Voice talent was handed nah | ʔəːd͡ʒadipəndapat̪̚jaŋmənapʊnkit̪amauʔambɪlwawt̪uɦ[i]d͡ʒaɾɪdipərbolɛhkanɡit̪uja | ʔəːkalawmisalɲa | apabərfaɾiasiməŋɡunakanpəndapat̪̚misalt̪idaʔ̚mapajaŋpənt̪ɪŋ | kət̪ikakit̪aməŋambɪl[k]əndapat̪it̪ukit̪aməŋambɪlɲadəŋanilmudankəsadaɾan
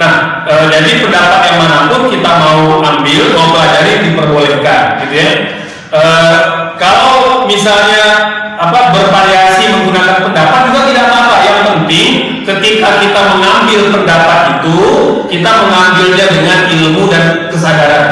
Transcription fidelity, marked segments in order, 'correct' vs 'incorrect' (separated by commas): incorrect, incorrect